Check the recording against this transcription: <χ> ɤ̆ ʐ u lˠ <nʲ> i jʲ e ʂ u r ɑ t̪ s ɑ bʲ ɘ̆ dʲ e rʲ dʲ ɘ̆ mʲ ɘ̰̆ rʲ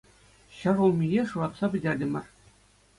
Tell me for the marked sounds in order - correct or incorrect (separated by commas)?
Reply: incorrect, incorrect